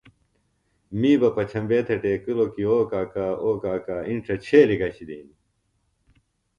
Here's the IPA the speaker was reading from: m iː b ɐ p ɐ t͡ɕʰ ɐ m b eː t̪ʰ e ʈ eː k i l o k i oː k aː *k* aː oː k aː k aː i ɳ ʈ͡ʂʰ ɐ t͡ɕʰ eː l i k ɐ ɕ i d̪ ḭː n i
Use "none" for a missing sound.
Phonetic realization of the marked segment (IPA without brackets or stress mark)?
k